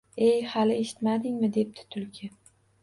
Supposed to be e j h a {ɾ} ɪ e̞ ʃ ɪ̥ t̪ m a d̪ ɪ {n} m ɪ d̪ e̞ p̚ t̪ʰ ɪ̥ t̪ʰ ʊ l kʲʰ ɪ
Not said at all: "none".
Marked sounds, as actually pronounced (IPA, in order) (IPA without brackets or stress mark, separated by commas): l, ŋ